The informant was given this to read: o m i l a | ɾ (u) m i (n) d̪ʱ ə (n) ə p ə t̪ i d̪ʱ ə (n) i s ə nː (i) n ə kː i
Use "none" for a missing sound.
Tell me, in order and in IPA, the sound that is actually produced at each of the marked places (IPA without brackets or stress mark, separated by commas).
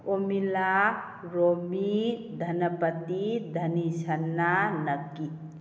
o, none, n, n, a